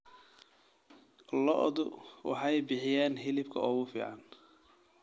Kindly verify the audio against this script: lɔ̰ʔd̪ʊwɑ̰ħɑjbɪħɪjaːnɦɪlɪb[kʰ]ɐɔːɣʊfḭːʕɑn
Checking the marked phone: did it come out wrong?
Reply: no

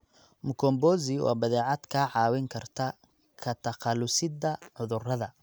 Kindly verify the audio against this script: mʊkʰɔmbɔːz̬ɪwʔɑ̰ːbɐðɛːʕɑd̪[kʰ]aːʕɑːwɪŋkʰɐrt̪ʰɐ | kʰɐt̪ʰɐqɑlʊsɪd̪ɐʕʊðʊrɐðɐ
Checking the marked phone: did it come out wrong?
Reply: no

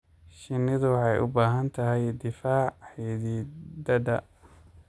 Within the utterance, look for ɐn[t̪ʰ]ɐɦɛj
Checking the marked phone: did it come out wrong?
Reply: no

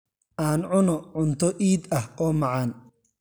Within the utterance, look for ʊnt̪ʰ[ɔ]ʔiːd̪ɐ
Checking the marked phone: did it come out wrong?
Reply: no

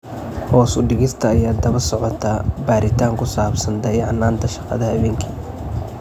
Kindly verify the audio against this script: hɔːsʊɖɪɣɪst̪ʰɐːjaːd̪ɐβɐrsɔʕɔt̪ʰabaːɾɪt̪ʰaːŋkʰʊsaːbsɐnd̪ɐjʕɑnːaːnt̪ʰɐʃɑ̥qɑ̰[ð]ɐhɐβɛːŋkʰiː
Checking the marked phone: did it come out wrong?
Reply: no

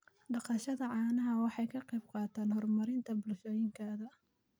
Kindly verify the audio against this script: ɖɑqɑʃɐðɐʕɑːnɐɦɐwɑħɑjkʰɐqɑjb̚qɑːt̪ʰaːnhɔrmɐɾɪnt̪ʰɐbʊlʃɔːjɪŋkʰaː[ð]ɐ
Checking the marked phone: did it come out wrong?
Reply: no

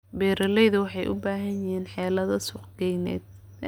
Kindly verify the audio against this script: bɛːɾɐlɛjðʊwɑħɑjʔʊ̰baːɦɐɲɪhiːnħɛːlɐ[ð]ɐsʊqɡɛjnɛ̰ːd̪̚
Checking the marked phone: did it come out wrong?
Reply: no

